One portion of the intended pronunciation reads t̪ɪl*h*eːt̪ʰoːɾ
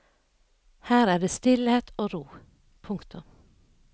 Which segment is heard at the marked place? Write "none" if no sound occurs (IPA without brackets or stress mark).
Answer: h